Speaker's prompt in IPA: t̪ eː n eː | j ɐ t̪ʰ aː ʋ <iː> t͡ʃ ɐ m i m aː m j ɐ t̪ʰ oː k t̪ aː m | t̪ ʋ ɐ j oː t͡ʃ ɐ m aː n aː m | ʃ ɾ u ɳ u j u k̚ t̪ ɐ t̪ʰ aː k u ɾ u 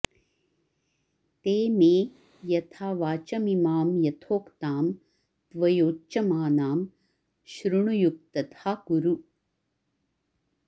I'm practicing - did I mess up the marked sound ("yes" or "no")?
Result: yes